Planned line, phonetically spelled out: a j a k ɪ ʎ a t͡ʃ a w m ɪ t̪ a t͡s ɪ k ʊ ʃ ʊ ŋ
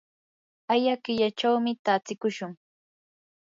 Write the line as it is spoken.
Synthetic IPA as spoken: a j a k ɪ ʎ a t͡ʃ a w m ɪ t̪ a t͡s ɪ k ʊ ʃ ʊ ŋ